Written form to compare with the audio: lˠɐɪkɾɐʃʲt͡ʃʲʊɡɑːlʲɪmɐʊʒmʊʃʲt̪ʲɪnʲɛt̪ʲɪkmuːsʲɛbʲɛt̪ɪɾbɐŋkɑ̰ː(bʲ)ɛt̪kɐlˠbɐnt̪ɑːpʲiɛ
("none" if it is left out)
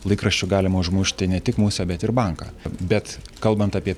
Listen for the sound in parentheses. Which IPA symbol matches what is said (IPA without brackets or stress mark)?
bʲ